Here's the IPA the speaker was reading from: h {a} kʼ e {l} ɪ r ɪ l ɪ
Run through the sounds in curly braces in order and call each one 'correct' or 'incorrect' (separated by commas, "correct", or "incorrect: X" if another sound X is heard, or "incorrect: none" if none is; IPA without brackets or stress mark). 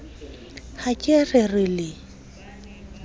correct, incorrect: r